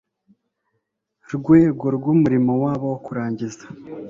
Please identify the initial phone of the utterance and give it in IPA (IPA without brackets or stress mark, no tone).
ɾ